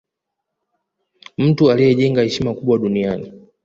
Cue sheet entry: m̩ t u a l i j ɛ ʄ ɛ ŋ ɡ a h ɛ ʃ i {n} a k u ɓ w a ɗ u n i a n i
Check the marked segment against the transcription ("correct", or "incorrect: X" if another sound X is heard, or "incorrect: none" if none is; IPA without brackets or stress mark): incorrect: m